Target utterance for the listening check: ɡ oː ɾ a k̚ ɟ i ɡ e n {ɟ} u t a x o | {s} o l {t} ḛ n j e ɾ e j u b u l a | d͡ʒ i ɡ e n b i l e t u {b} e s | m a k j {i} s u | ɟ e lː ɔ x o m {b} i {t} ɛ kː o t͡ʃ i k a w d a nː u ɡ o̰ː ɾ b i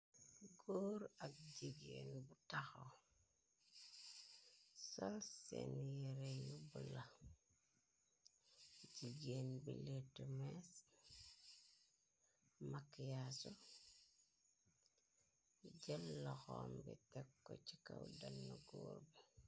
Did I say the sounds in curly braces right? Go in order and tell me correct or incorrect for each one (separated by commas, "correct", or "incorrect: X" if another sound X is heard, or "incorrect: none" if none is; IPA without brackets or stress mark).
incorrect: b, correct, incorrect: s, incorrect: m, incorrect: a, correct, correct